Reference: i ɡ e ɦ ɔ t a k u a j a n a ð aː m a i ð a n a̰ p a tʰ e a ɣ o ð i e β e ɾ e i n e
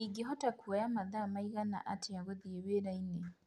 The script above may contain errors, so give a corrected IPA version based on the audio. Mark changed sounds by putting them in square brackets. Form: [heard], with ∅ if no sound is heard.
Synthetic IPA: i ɡ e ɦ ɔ t a k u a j a [m] a ð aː m a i [ɣ] a n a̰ [ʔ] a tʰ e a ɣ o ð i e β e ɾ [a] i n e